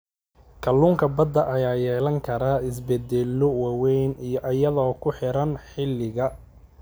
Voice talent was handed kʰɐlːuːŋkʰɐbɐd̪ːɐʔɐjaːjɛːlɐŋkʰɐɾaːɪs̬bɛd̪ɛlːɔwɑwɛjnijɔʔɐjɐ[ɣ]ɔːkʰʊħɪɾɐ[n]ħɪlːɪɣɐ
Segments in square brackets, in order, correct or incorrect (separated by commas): incorrect, correct